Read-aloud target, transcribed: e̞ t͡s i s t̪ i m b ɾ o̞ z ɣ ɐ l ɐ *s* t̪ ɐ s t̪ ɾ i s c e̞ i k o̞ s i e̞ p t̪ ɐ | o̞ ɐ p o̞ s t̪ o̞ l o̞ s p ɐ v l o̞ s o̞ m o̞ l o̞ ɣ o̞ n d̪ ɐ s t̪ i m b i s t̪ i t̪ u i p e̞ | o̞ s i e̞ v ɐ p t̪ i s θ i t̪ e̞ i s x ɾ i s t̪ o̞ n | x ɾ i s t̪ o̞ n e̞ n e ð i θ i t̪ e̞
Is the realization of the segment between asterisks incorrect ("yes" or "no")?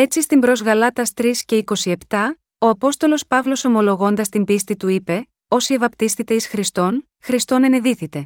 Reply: yes